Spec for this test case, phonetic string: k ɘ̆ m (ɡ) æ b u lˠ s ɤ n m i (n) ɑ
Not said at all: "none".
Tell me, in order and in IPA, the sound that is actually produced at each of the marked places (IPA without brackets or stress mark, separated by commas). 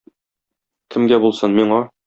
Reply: ɡ, ɴ